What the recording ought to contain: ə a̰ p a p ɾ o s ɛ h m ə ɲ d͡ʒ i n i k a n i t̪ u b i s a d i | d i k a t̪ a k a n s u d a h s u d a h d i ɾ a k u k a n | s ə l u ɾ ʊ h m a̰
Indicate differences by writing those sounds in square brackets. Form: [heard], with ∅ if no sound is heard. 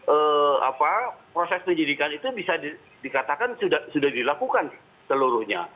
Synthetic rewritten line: ə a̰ p a p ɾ o s ɛ [s] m ə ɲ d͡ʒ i [d] i k a n i t̪ u b i s a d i | d i k a t̪ a k a n s u d a h s u d a h d i [l] a k u k a n | s ə l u ɾ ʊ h [ɲ] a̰